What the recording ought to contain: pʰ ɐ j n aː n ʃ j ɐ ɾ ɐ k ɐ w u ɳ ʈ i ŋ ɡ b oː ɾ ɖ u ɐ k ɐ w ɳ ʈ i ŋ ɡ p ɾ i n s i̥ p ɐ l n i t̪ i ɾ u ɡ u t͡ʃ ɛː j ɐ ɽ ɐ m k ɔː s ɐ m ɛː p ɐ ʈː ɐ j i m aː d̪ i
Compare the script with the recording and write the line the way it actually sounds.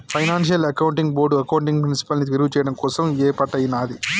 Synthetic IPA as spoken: pʰ ɐ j n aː n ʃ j ɐ l ɐ k ɐ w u ɳ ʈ i ŋ ɡ b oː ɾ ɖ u ɐ k ɐ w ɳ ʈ i ŋ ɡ p ɾ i n s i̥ p ɐ l n i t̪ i ɾ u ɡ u t͡ʃ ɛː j ɐ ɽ ɐ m k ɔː s ɐ m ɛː p ɐ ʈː ɐ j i n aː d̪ i